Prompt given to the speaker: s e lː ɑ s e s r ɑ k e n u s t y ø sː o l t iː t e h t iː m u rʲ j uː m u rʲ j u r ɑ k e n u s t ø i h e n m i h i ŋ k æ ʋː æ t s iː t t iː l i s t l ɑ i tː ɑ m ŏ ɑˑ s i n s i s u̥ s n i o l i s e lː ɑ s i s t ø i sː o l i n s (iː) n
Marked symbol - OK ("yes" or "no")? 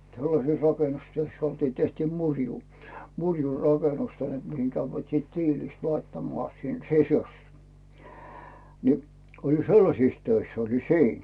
yes